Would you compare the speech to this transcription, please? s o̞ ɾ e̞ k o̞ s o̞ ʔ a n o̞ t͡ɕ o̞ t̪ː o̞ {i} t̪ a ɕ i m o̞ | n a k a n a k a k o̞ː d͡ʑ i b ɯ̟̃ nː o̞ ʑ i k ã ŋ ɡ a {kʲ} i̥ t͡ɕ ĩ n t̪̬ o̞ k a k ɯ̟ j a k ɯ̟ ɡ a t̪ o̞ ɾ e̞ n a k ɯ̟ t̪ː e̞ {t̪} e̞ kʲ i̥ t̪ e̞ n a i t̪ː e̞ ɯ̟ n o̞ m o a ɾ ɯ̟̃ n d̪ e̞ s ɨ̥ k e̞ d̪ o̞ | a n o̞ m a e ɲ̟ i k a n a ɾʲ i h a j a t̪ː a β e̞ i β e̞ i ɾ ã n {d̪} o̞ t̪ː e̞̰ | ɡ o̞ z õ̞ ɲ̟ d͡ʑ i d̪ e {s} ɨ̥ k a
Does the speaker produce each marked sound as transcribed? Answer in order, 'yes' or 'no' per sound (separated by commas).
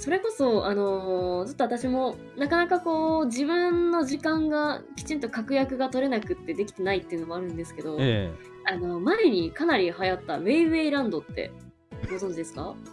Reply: no, yes, no, yes, yes